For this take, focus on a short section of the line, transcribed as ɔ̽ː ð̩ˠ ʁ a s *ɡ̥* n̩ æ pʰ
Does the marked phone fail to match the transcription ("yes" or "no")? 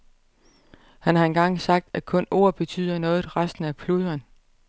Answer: yes